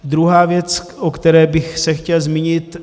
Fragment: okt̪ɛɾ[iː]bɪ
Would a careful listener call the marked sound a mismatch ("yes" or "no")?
yes